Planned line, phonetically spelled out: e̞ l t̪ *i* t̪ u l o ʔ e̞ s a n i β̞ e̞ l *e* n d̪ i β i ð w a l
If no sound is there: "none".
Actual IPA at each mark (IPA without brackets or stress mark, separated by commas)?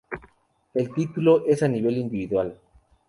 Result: i, i